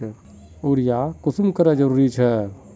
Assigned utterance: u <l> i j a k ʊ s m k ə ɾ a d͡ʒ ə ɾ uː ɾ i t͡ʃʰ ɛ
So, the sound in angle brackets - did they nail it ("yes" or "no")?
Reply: no